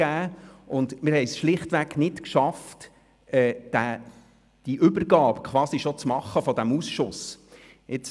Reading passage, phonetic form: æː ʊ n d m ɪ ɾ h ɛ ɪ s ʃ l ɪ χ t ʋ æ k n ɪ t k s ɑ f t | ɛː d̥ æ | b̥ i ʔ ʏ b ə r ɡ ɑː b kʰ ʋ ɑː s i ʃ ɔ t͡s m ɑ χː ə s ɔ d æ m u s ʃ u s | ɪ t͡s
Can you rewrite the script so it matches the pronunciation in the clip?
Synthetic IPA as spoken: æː ʊ n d m ɪ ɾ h ɛ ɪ s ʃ l ɪ χ t ʋ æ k n ɪ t k ʃ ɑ f t | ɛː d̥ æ | d̥ i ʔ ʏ b ə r ɡ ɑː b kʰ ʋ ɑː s i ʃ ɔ t͡s m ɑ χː ə f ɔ d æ m u s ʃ ʊ s | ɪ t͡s